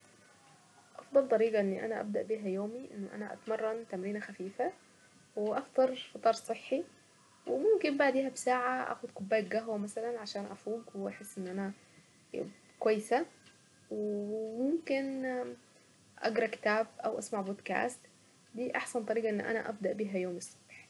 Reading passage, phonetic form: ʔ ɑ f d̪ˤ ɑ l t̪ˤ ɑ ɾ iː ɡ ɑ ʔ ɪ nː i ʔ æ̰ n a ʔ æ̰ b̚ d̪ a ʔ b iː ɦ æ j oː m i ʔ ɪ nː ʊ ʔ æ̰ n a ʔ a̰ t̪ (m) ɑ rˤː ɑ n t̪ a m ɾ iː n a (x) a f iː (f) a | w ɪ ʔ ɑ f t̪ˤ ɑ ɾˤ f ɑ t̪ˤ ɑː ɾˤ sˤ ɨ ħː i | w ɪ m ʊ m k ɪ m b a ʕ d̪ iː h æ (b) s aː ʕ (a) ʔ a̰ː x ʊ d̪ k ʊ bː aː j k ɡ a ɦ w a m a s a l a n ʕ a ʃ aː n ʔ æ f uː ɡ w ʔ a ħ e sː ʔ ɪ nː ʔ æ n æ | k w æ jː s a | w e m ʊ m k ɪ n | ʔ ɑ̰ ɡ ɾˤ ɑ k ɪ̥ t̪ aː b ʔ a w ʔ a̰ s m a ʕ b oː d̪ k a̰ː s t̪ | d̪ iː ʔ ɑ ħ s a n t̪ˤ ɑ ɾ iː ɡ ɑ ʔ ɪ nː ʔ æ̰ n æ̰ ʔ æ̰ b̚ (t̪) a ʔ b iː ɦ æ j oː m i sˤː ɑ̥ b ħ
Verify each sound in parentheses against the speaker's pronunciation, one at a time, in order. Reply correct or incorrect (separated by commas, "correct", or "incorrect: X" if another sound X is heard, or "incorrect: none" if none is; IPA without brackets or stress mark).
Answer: correct, correct, correct, correct, correct, incorrect: d̪